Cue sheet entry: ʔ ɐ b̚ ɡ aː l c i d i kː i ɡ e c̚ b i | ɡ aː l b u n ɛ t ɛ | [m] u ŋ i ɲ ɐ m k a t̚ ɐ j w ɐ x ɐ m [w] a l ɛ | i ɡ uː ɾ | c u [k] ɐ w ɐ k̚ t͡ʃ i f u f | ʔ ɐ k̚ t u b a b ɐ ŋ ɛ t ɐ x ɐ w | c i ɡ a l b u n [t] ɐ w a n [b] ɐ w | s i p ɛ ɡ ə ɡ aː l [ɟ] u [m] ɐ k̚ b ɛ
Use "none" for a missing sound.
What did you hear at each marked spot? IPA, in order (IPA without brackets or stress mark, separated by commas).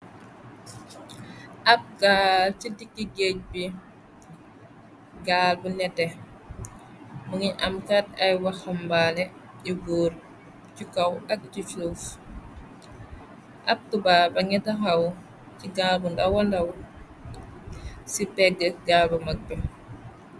m, b, k, d, d, b, m